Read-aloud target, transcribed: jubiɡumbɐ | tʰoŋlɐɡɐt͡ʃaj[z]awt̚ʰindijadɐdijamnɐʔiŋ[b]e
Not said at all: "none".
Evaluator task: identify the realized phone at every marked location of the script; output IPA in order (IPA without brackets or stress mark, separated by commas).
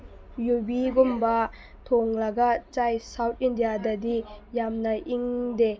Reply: s, d